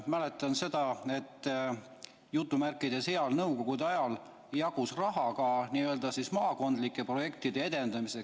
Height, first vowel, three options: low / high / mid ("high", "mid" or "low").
low